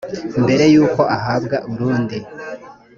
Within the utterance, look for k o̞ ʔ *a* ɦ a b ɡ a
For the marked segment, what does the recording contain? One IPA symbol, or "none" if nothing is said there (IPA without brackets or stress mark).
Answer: a